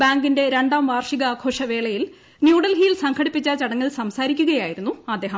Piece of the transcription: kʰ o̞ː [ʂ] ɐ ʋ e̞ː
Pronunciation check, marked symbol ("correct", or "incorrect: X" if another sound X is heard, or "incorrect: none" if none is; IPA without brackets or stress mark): correct